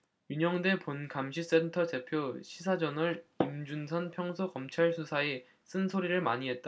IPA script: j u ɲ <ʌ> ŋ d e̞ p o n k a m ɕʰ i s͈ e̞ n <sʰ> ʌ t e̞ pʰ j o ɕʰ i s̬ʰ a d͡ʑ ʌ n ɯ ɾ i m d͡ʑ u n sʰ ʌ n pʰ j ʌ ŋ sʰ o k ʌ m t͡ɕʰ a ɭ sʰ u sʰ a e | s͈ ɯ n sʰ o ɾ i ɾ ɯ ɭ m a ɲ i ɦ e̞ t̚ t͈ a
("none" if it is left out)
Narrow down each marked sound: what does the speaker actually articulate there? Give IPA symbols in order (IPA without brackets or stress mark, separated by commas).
ʌ, tʰ